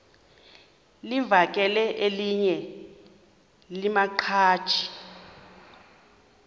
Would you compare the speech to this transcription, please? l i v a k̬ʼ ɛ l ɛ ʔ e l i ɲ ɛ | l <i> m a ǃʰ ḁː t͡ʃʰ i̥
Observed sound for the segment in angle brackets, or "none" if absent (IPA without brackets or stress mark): i